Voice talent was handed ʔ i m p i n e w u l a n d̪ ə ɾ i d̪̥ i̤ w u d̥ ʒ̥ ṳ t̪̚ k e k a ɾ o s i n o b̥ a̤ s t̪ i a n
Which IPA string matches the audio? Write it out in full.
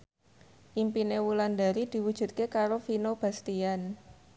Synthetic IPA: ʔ i m p i n e w u l a n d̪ a ɾ i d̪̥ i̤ w u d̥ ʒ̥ ṳ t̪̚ k e k a ɾ o f i n o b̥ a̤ s t̪ i a n